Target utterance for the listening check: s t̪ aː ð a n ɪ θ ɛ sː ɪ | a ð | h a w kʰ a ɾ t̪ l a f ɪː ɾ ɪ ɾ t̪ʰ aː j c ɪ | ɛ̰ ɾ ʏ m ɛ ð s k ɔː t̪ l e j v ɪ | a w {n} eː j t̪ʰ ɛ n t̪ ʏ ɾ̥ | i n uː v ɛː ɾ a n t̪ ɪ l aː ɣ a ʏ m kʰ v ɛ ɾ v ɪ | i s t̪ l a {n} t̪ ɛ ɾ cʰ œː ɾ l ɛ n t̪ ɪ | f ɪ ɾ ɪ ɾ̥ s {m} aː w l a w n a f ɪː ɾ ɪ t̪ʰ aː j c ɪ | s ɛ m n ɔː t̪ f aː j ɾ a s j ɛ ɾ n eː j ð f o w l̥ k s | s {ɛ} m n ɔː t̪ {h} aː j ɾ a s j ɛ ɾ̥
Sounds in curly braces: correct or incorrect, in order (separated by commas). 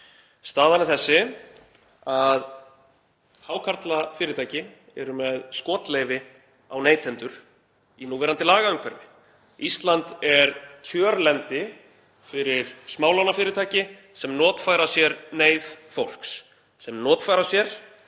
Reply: correct, correct, correct, correct, incorrect